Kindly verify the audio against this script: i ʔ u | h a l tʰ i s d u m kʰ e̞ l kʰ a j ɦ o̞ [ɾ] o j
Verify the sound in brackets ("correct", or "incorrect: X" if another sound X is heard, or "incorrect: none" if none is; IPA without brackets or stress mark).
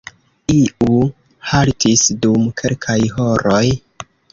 correct